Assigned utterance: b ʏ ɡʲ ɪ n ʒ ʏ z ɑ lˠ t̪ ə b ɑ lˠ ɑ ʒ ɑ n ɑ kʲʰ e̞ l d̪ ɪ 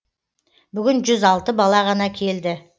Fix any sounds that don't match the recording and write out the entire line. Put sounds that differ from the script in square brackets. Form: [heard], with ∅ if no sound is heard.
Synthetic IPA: b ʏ ɡʲ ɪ n ʒ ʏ z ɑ lˠ t̪ ə b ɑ lˠ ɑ [ʁ] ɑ n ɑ kʲʰ e̞ l d̪ ɪ